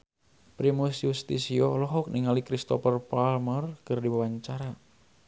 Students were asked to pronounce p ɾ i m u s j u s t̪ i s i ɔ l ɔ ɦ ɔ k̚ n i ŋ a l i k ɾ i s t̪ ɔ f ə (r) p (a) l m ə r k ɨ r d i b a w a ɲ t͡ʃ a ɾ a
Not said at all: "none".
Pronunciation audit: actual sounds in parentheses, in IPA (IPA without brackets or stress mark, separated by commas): r, a